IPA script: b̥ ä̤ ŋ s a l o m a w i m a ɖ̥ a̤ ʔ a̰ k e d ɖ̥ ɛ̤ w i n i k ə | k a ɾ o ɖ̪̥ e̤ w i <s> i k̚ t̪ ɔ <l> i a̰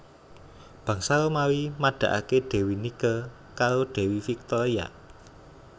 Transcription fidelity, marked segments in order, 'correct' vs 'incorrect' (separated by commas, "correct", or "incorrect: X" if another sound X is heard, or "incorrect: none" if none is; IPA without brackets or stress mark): incorrect: f, incorrect: ɾ